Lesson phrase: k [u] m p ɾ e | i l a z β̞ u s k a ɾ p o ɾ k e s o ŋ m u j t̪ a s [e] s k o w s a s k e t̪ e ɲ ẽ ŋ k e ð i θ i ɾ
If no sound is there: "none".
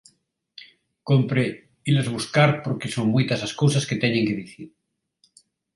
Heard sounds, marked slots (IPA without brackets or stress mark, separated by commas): o, a